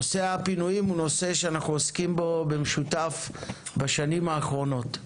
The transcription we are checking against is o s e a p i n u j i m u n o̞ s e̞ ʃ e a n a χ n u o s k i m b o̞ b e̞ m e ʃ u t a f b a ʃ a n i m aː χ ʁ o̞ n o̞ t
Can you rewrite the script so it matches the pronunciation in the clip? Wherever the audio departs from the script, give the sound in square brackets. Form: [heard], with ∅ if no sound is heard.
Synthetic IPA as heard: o s e a p i n u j i m u n o̞ s e̞ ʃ e a n a χ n u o s k i m b o̞ b e̞ m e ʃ u t a f b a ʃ a n i m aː χ ʁ o̞ n o̞ t